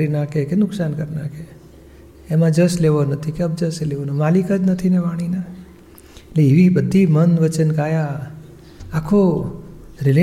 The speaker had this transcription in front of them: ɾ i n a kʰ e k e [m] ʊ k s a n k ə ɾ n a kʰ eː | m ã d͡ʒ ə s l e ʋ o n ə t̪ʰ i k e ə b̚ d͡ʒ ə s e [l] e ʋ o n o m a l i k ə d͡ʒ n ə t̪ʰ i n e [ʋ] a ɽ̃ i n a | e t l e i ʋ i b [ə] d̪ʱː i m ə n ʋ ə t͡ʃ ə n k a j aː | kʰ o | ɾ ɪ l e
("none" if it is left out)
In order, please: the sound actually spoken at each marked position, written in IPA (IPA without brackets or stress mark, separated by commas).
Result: n, l, ʋ, ə